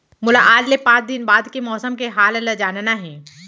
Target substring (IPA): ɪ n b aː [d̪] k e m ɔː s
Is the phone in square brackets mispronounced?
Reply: no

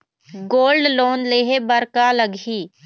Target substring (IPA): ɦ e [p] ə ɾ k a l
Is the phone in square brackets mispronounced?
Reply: yes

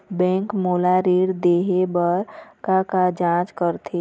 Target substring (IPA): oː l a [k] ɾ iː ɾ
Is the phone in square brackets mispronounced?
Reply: yes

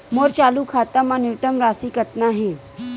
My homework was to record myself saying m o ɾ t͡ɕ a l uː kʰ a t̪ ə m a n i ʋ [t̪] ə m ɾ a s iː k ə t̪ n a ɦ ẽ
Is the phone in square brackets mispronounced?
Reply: no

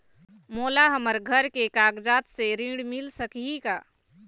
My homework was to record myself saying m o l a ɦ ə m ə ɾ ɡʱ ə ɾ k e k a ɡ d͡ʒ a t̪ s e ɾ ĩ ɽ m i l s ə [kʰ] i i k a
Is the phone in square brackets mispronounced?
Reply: yes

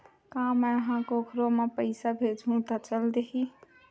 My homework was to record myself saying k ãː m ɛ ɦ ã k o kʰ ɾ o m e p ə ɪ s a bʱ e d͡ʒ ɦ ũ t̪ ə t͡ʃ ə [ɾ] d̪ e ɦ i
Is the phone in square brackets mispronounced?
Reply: yes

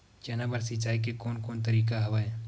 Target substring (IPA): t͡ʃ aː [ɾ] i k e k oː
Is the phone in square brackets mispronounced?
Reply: yes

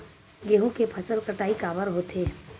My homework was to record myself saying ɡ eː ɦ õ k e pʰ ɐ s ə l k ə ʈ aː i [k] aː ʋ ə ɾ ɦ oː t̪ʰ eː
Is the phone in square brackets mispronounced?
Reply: no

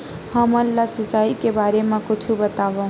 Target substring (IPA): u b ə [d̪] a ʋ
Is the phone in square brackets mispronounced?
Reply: yes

